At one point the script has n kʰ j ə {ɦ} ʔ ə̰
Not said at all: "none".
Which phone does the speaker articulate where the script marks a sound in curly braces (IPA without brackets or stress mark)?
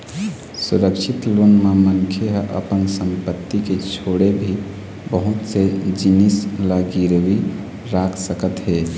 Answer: ɦ